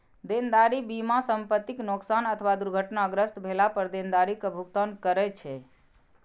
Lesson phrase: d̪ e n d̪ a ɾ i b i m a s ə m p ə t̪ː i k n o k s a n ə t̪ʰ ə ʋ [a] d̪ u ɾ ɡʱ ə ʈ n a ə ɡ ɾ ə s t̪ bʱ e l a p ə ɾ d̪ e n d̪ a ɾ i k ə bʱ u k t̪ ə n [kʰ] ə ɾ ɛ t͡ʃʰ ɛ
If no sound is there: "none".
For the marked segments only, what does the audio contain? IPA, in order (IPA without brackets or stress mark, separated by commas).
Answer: a, k